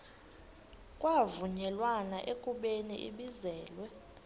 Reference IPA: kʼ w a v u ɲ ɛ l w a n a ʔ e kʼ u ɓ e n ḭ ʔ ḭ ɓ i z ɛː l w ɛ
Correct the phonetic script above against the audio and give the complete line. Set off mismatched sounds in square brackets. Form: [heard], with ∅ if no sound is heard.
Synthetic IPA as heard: kʼ w a v u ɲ ɛ l w a n a ʔ e kʼ u ɓ e n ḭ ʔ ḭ ɓ i z ɛː l w ɛ